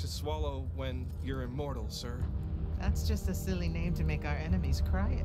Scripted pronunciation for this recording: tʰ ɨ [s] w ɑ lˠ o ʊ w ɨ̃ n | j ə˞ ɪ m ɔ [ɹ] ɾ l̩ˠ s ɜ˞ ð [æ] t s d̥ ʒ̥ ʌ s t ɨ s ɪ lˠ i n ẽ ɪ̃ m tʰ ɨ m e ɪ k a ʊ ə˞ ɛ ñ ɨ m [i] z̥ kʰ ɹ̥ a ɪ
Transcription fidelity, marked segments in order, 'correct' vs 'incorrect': correct, correct, correct, correct

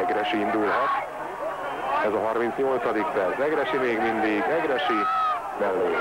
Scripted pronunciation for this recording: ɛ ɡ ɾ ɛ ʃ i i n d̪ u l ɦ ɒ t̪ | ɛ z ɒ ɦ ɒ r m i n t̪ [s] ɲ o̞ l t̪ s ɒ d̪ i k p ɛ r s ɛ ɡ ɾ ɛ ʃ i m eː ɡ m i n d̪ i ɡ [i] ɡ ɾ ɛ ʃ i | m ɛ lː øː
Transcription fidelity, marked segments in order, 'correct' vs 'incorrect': correct, incorrect: ɛ

